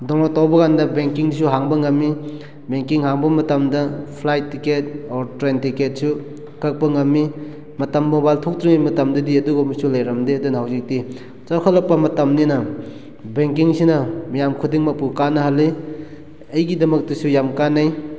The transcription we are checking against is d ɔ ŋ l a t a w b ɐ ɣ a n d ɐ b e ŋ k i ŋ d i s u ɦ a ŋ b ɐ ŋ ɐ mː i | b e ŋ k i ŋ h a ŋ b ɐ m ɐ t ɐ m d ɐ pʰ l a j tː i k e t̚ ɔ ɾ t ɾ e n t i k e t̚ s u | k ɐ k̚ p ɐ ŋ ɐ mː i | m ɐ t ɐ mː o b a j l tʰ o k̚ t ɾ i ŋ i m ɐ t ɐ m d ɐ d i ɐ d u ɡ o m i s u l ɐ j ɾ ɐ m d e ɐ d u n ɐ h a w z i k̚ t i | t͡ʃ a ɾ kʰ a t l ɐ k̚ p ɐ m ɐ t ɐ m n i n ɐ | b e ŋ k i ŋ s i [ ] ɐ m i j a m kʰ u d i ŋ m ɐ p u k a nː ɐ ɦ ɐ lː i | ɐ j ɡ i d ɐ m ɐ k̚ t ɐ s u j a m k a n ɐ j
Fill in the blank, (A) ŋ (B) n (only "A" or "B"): B